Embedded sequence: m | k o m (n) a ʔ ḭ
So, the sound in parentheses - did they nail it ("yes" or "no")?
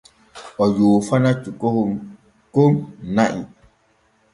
yes